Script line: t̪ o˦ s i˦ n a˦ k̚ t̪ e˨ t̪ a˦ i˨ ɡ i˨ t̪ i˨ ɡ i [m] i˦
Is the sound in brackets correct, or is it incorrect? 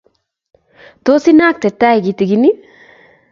incorrect: n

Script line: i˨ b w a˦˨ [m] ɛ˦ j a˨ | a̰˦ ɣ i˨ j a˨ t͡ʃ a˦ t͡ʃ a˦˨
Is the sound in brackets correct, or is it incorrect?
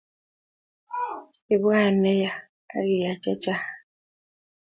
incorrect: n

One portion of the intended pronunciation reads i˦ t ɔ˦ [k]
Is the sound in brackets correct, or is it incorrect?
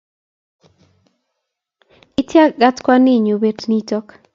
correct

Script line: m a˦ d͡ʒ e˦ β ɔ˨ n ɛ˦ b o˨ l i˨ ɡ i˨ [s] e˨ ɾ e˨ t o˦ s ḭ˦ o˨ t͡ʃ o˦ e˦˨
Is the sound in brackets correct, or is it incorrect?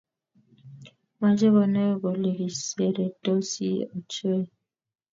correct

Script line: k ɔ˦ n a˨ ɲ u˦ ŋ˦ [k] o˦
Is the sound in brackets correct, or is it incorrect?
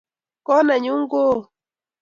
incorrect: ɡ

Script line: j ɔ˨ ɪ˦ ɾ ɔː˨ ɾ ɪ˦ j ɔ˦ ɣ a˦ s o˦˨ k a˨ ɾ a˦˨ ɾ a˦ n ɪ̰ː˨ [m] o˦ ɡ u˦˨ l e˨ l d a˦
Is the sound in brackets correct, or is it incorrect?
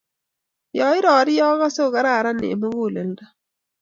correct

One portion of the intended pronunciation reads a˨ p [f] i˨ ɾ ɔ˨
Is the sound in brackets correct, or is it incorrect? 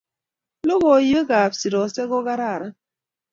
incorrect: s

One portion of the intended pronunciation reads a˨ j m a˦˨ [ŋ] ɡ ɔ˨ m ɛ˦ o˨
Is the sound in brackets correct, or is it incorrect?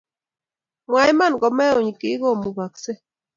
incorrect: n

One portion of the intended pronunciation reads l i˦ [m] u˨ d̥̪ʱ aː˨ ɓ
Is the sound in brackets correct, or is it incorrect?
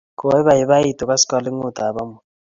incorrect: ŋ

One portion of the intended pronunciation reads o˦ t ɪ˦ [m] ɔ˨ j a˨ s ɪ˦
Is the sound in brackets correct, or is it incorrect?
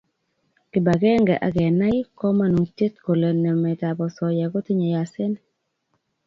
incorrect: ɲ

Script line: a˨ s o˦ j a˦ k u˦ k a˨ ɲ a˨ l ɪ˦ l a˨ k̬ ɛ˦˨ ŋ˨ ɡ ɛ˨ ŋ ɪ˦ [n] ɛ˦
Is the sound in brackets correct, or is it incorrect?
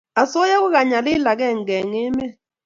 incorrect: m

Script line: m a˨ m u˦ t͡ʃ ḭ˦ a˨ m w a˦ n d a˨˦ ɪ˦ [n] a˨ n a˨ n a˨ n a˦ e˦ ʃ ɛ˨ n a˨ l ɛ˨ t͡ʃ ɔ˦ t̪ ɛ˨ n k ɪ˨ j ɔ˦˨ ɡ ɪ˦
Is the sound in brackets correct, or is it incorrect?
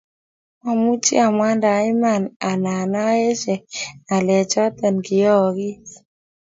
incorrect: m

